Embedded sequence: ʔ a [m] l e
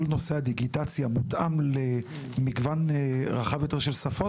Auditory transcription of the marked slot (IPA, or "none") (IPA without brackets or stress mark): m